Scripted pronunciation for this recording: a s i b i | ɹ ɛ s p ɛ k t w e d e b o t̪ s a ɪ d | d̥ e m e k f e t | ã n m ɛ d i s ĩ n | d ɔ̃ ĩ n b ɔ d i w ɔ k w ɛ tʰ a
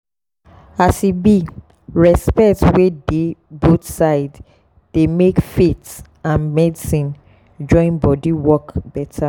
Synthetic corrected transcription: a s i b i | ɹ ɛ s p ɛ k t w e d e b o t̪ s a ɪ d | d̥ e m e k f e t | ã n m ɛ d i s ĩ n | d͡ʒ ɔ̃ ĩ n b ɔ d i w ɔ k b ɛ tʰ a